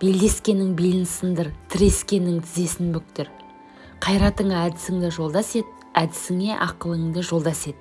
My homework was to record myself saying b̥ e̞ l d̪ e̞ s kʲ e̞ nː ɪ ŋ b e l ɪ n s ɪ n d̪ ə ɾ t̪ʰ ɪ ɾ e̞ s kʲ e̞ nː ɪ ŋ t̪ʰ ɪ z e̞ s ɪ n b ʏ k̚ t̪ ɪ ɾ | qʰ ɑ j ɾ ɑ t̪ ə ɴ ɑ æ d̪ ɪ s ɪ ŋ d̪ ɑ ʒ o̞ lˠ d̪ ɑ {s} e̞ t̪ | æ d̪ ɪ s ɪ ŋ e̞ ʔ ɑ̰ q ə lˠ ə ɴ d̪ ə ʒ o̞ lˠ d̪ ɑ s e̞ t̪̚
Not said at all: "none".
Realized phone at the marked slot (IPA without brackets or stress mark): s